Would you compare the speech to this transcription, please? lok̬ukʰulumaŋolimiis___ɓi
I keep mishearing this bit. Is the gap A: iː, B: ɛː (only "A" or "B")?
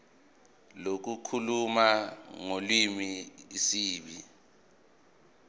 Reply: A